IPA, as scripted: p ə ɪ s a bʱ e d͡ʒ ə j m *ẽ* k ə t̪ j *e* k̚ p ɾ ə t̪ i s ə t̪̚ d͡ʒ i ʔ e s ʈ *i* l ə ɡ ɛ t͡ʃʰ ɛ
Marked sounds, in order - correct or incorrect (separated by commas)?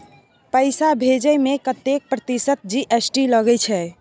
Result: incorrect, correct, correct